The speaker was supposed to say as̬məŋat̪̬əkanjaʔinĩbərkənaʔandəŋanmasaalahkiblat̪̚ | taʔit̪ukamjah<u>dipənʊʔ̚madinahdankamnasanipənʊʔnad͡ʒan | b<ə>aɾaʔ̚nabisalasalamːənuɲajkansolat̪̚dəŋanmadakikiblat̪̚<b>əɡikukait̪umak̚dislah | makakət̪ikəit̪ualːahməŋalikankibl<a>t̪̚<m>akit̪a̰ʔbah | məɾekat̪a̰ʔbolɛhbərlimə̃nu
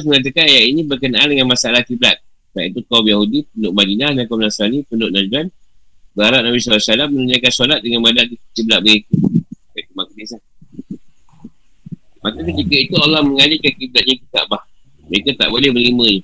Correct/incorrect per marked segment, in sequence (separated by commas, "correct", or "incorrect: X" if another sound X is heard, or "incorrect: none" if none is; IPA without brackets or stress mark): correct, correct, correct, correct, incorrect: ɲ